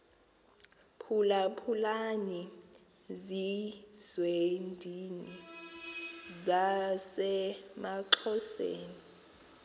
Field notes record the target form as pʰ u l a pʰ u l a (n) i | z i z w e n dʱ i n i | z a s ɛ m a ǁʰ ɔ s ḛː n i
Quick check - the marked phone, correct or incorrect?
correct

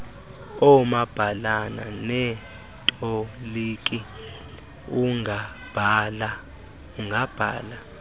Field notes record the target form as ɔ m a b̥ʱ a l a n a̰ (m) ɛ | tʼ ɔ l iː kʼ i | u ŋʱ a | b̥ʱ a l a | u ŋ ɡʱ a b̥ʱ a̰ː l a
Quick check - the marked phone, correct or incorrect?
incorrect: n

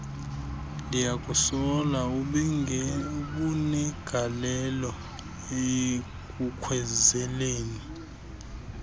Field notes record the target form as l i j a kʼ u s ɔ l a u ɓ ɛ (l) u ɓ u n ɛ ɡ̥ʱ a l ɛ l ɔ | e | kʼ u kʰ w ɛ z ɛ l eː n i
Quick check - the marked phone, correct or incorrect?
incorrect: none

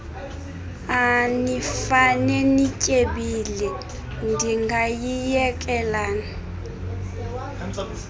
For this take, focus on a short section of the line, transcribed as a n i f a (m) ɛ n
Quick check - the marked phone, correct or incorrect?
incorrect: n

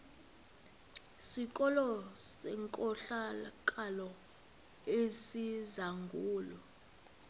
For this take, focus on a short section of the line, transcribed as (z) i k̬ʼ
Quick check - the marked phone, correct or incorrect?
incorrect: s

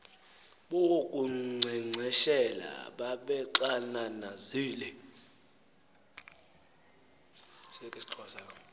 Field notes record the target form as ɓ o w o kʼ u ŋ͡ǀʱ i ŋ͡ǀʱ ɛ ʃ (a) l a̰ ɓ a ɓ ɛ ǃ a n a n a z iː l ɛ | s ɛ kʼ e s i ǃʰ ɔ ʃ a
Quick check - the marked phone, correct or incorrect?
incorrect: ɛ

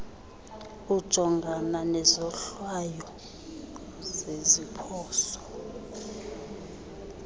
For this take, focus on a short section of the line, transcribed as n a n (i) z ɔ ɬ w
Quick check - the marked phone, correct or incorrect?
incorrect: ɛ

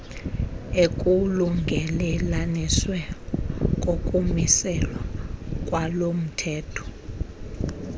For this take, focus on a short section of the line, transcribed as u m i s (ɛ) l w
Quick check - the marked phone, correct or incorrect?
correct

